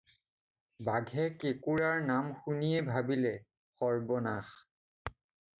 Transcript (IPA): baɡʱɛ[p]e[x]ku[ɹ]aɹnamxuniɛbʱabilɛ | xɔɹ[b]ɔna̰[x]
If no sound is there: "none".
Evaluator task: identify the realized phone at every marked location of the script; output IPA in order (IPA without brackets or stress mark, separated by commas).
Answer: k, none, ɹ, b, x